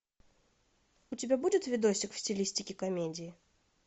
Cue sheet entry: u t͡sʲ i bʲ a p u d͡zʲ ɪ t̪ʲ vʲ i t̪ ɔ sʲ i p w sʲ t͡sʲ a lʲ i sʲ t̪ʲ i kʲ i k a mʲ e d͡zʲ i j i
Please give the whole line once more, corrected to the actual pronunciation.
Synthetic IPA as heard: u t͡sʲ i bʲ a b u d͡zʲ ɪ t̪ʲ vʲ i d̪ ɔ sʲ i k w sʲ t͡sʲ i lʲ i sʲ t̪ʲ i kʲ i k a mʲ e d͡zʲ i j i